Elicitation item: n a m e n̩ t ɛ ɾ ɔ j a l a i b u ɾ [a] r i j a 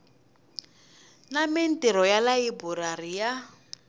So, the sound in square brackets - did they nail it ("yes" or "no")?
yes